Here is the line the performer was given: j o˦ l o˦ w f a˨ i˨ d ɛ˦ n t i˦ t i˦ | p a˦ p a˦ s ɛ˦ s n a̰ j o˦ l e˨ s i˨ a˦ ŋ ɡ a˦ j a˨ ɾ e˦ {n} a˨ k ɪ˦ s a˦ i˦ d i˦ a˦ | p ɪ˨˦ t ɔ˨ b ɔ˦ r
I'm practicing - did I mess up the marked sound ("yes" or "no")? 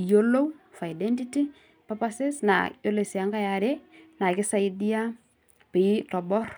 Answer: no